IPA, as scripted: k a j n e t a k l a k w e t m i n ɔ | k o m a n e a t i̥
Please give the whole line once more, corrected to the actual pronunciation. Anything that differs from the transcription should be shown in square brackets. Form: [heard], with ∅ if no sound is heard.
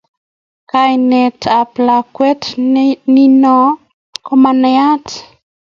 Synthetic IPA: k a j n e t a [p] l a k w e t [n] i n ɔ | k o m a n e a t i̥